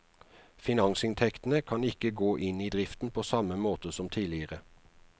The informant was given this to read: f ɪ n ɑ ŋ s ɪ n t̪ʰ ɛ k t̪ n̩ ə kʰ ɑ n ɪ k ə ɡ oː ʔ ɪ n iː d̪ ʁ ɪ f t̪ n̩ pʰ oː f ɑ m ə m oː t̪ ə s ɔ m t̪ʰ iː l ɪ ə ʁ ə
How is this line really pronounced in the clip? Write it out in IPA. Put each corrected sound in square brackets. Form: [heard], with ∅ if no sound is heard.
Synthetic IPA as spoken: f ɪ n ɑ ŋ s ɪ n t̪ʰ ɛ k t̪ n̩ ə kʰ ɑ n ɪ k ə ɡ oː ʔ ɪ n iː d̪ ʁ ɪ f t̪ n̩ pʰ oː [s] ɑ m ə m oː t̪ ə s ɔ m t̪ʰ iː l ɪ ə ʁ ə